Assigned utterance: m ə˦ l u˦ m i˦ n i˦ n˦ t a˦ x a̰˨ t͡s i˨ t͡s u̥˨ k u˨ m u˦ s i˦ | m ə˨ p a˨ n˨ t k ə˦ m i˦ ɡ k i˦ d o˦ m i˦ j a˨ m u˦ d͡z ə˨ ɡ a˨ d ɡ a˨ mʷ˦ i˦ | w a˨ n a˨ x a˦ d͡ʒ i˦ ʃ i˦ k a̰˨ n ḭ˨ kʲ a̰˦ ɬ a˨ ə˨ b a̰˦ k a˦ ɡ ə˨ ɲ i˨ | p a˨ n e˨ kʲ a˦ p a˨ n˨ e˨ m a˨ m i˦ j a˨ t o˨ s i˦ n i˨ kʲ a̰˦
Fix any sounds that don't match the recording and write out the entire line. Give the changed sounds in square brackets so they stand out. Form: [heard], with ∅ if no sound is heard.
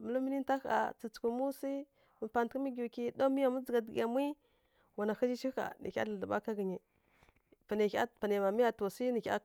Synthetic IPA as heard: m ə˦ l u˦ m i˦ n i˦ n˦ t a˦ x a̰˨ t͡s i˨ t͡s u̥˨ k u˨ m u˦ s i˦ | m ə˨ p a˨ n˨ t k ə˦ m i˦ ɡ k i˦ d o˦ m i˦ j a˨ m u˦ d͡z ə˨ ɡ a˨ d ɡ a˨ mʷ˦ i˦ | w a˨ n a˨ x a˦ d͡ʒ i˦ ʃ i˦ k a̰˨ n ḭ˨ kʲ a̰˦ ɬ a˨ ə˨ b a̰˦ k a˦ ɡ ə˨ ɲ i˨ | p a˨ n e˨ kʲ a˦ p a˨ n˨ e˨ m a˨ m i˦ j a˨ t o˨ s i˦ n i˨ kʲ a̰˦